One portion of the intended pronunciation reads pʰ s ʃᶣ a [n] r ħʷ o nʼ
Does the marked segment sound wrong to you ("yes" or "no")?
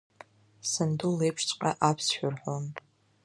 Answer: yes